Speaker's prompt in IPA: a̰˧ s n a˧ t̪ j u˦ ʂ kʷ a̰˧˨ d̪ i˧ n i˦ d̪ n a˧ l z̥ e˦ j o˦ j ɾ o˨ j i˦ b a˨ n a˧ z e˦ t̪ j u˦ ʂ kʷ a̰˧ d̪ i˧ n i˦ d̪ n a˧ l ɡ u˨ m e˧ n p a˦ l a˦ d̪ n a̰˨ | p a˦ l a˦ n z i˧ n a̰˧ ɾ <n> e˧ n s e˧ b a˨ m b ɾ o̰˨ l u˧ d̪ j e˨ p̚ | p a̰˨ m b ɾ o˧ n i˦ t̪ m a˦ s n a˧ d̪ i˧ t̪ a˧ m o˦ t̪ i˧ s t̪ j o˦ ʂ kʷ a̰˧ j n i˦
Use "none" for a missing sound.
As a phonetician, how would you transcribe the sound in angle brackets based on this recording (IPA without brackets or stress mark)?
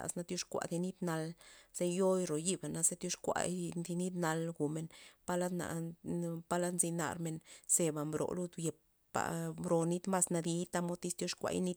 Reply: m